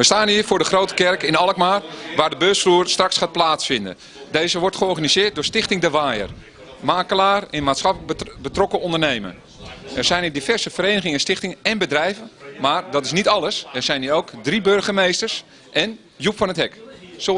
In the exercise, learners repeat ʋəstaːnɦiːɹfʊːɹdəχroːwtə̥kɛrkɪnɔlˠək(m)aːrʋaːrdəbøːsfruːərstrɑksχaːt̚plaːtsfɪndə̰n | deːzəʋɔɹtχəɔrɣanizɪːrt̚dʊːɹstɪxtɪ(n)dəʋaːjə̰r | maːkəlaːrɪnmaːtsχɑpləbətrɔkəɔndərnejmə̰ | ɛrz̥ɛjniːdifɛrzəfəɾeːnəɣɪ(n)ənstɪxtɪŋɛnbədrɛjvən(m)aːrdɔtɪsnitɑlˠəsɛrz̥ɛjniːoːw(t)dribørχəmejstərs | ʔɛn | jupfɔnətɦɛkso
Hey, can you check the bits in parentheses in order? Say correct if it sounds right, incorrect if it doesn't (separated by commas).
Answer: correct, incorrect, incorrect, correct, incorrect